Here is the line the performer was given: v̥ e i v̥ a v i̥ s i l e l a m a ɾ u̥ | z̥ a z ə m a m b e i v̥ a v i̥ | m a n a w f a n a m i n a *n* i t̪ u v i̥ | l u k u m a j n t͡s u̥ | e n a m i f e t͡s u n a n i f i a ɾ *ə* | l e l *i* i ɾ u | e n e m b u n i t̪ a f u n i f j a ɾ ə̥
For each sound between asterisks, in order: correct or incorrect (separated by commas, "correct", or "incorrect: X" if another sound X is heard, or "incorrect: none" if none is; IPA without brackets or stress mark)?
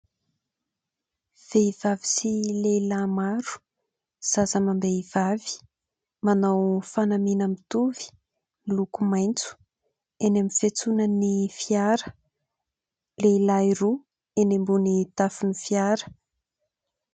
incorrect: m, correct, incorrect: a